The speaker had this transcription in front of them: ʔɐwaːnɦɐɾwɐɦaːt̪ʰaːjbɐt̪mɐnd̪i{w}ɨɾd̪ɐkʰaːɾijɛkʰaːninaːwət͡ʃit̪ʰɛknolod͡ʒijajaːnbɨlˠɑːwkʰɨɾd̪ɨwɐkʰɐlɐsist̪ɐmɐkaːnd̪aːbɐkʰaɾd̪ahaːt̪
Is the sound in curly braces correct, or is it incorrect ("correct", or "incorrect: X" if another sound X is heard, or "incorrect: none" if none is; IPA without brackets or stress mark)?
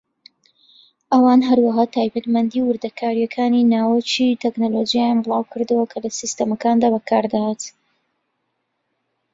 correct